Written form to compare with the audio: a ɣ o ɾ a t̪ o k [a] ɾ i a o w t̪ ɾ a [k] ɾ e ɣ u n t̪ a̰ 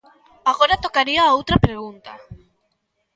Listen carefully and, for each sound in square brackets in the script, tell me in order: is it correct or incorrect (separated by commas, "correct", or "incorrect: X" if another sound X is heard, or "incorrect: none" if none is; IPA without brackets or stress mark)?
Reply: correct, incorrect: p